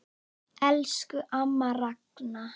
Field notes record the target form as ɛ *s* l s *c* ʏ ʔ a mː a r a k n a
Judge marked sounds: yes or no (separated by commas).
no, no